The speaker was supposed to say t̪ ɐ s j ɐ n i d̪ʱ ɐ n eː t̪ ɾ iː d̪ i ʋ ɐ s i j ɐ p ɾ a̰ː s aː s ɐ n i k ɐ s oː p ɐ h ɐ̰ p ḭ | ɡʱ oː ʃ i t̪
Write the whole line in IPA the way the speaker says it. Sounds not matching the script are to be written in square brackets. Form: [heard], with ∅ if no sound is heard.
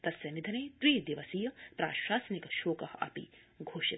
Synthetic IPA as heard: t̪ ɐ s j ɐ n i d̪ʱ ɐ n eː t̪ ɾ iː d̪ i ʋ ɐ s i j ɐ p ɾ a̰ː [ʃ] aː s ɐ n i k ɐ [ʃ] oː [k] ɐ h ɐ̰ p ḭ | ɡʱ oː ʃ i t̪